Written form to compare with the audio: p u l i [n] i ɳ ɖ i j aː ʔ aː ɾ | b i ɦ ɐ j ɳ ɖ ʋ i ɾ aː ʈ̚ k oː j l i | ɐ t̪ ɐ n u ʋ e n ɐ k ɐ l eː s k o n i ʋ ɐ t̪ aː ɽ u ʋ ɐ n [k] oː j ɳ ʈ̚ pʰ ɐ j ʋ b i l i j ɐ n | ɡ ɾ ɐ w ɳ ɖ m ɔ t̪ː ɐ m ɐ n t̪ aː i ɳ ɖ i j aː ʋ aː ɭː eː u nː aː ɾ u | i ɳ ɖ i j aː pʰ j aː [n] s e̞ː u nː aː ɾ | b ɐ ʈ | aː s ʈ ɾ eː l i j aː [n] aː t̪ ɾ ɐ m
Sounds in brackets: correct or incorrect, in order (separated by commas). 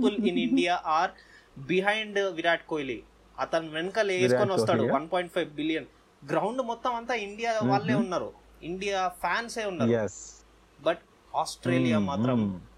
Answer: correct, incorrect, correct, incorrect